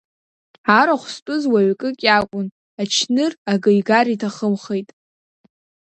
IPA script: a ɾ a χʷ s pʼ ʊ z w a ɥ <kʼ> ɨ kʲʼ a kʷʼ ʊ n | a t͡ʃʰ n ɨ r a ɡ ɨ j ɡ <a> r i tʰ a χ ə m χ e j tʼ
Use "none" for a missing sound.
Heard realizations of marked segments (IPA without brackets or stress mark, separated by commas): kʼ, a